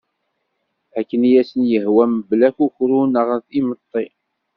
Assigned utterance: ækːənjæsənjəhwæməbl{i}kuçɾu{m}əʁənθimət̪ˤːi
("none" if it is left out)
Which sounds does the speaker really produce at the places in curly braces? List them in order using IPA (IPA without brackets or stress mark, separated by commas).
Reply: æ, n